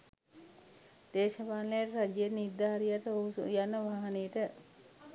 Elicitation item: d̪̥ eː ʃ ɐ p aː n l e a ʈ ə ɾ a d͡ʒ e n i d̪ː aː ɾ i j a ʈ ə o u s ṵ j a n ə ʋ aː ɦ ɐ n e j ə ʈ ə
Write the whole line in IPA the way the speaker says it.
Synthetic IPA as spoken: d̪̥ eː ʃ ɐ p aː n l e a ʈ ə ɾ a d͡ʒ e n i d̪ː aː ɾ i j a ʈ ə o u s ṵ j a n ə ʋ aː ɦ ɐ n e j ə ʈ ə